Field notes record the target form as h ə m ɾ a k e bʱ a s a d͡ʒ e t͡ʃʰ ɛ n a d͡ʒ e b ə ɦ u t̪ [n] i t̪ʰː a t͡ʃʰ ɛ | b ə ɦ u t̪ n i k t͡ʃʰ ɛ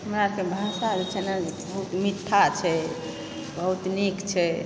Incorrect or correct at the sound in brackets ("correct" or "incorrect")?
incorrect